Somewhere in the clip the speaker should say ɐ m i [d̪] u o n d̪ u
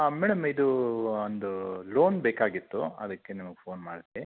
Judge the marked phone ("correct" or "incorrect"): correct